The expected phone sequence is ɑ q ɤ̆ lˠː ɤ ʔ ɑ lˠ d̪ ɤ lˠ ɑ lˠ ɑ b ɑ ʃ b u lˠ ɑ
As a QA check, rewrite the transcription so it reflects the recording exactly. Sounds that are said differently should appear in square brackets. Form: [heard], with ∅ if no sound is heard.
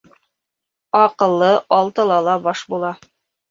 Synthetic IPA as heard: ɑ q ɤ̆ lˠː ɤ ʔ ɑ lˠ [t̪] ɤ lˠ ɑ lˠ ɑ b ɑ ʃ b u lˠ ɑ